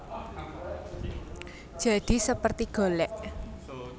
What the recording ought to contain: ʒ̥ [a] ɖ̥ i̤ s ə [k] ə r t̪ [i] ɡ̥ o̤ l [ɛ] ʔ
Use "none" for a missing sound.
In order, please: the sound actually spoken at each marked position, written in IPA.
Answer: a, p, i, ɛ

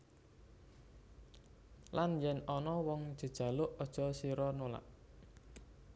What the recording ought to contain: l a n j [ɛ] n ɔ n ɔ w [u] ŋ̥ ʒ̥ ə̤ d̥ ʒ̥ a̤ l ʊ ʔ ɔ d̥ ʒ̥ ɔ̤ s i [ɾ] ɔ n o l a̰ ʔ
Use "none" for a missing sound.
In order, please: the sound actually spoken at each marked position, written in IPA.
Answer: ɛ, ɔ, ɾ

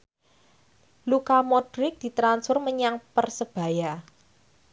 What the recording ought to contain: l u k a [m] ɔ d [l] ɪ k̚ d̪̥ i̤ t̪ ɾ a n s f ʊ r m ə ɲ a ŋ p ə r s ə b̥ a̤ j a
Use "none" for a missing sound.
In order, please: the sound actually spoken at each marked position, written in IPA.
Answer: m, ɾ

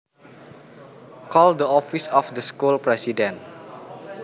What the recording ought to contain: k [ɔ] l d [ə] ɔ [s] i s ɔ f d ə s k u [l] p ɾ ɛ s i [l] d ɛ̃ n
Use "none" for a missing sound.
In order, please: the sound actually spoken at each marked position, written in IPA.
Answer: ɔ, ə, f, l, none

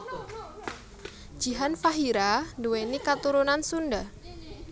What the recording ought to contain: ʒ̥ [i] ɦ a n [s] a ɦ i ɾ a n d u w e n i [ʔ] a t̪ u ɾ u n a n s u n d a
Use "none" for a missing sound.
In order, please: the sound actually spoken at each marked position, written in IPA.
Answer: i, f, k

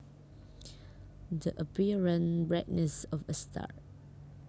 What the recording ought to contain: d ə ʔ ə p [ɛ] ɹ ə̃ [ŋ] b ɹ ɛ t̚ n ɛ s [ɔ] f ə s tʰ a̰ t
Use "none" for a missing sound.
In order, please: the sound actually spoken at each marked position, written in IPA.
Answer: i, n, ɔ

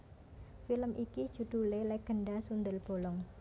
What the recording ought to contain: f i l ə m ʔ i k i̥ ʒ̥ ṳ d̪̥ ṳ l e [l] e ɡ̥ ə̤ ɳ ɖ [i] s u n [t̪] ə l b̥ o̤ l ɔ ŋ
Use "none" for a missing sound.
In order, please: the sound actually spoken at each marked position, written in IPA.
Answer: l, a, d̪

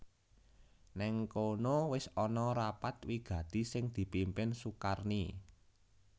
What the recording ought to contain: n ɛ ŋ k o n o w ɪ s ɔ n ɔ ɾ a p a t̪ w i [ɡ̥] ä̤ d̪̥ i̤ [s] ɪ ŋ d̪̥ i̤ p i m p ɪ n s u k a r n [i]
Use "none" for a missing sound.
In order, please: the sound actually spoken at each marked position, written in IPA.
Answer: ɡ̥, s, i

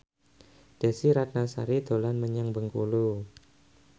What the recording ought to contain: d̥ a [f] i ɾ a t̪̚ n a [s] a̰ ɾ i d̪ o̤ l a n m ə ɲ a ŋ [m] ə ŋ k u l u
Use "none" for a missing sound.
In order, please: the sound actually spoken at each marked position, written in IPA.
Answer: s, s, b

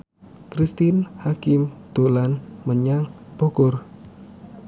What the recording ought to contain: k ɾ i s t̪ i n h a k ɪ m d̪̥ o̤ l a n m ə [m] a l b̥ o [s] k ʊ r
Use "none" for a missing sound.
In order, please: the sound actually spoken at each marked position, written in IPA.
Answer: ɲ, none

